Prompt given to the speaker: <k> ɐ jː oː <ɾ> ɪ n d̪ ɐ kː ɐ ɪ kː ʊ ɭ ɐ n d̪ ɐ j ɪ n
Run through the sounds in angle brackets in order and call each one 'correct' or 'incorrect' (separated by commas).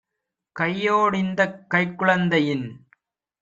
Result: correct, incorrect